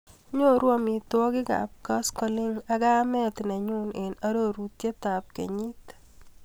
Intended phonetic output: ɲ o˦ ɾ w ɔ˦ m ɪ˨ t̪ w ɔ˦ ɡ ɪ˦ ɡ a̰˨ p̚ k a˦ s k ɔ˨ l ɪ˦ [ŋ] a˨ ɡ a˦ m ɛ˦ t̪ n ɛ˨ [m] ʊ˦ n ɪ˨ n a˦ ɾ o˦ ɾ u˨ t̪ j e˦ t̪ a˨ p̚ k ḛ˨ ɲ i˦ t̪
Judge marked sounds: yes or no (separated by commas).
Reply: yes, no